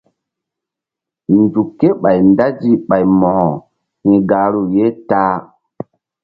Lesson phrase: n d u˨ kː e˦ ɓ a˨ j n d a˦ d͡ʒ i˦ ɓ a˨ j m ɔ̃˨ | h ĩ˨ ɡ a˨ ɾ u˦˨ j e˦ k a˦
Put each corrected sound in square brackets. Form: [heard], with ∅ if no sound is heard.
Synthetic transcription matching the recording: n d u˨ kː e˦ ɓ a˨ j n d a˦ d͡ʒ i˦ ɓ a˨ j m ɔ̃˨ | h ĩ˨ ɡ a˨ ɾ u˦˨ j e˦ [t] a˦